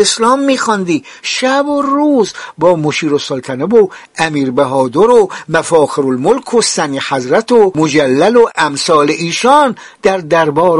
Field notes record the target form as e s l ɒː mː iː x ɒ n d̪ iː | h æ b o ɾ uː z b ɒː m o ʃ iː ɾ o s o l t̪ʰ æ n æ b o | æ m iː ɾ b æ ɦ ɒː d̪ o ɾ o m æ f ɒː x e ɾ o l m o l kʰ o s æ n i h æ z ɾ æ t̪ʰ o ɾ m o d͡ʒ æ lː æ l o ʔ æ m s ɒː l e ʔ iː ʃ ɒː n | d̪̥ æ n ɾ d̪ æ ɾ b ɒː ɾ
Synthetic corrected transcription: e s l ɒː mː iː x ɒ n d̪ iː | ʃ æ b o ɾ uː z b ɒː m o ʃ iː ɾ o s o l t̪ʰ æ n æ b o | æ m iː ɾ b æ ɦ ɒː d̪ o ɾ o m æ f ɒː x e ɾ o l m o l kʰ o s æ n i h æ z ɾ æ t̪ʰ o m o d͡ʒ æ lː æ l o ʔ æ m s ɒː l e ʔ iː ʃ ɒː n | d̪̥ æ ɾ d̪ æ ɾ b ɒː ɾ